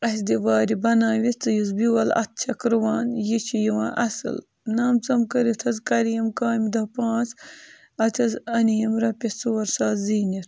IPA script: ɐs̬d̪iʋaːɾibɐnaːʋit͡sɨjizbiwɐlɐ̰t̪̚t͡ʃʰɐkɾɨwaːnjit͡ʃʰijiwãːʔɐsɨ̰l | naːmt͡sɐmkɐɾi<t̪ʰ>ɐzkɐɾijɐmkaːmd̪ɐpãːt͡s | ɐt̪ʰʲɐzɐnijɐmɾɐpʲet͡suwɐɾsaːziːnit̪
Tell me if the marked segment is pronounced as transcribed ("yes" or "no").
yes